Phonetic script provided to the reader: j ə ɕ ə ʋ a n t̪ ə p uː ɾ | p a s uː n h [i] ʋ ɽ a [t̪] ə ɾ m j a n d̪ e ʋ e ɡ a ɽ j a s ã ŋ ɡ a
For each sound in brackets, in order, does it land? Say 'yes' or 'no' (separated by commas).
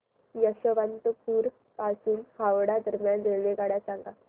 no, no